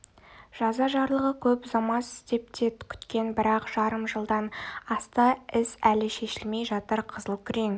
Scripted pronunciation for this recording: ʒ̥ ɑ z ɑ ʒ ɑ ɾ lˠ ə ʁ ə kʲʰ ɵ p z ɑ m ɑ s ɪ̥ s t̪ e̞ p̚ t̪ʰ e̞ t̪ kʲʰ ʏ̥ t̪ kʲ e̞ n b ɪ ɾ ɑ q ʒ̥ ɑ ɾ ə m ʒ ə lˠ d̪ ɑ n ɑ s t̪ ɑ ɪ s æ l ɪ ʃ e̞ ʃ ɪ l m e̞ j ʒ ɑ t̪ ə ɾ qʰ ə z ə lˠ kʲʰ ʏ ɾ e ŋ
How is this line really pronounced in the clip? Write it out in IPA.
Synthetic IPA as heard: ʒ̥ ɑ z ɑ ʒ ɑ ɾ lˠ ə ʁ ə kʲʰ ɵ p z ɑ m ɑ s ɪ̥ s t̪ e̞ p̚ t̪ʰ e̞ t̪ kʲʰ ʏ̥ t̪ kʲ e̞ n b ɪ ɾ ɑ q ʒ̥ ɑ ɾ ə m ʒ ə lˠ d̪ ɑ n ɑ s t̪ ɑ ɪ s æ l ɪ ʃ e̞ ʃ ɪ l m e̞ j ʒ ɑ t̪ ə ɾ qʰ ə z ə lˠ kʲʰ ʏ ɾ e ŋ